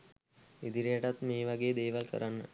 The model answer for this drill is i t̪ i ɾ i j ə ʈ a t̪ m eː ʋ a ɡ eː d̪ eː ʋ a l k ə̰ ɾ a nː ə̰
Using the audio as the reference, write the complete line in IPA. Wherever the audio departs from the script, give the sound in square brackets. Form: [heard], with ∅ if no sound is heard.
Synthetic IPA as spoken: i [d̪] i ɾ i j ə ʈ a t̪ m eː ʋ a ɡ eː d̪ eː ʋ a l k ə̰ ɾ a nː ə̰